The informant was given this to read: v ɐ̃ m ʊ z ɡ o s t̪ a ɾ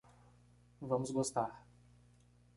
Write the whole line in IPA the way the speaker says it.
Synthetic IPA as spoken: v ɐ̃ m ʊ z ɡ o s t̪ a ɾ